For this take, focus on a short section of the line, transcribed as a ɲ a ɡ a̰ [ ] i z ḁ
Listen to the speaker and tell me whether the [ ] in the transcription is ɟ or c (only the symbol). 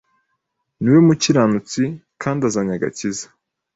c